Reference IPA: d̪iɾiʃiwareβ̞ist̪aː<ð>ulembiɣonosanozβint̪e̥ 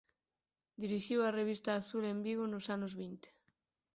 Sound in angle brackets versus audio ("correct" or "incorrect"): incorrect